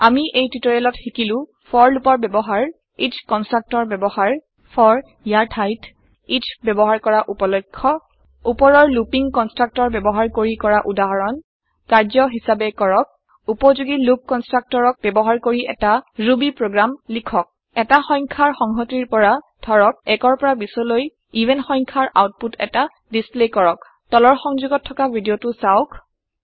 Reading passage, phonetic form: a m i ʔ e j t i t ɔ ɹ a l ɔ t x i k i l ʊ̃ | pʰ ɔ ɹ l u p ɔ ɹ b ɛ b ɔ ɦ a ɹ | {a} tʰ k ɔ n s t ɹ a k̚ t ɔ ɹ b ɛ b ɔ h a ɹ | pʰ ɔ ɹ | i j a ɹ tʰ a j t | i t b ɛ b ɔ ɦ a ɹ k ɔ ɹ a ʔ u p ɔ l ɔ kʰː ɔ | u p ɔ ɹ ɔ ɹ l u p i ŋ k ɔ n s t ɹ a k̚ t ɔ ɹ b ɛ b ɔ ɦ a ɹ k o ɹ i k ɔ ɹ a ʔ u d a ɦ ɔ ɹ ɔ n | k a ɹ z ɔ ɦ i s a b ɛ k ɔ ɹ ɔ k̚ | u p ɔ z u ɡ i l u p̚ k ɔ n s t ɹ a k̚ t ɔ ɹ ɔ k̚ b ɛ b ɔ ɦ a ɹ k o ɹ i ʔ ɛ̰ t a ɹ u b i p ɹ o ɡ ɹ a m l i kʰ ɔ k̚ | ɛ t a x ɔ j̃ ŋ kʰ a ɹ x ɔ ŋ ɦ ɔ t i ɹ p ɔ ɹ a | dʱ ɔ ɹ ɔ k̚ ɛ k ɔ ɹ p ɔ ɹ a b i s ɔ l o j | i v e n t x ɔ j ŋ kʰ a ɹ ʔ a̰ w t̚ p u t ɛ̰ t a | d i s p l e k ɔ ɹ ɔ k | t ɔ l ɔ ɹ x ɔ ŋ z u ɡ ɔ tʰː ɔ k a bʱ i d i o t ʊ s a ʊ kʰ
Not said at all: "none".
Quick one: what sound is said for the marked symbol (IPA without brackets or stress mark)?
i